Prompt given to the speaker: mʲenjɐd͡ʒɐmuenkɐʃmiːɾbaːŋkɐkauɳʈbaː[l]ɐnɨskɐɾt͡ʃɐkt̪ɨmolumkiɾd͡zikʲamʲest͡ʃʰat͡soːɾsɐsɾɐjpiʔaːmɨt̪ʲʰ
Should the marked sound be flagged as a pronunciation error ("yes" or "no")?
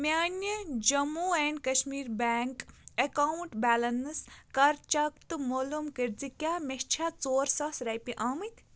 no